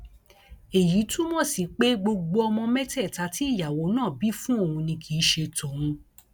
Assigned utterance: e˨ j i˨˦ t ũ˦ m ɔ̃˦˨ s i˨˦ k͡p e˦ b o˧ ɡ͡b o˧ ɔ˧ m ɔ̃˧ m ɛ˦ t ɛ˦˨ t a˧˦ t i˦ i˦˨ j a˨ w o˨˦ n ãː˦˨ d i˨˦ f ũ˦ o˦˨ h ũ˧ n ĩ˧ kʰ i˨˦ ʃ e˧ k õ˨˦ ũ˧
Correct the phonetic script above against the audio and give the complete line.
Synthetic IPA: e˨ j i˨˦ t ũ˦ m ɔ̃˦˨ s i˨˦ k͡p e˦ ɡ͡b o˧ ɡ͡b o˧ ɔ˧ m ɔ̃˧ m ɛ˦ t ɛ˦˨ t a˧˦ t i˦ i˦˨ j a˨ w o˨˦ n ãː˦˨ b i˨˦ f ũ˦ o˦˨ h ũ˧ n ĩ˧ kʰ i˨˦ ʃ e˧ t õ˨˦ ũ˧